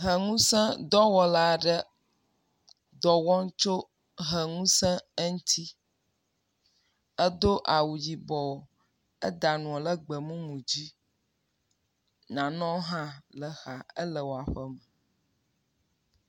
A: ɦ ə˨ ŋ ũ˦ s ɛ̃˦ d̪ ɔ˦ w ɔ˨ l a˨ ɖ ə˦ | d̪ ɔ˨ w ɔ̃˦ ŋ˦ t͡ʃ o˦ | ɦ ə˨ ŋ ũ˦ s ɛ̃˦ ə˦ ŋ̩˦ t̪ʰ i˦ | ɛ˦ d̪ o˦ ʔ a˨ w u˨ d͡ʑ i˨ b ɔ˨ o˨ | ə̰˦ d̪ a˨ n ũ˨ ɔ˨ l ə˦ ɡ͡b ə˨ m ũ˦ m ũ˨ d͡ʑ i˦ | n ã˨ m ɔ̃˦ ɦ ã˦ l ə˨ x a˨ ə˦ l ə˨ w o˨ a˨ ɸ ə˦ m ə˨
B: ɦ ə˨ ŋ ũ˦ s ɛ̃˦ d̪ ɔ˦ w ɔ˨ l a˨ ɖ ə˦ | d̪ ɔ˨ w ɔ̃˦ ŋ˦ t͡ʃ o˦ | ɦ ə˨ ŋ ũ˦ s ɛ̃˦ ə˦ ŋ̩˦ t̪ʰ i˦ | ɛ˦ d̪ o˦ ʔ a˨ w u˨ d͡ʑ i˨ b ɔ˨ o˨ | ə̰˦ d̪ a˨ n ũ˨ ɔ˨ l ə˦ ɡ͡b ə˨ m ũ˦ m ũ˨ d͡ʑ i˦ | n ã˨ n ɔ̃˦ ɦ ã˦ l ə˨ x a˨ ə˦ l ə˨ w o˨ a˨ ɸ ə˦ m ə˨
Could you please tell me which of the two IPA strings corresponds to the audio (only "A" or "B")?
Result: B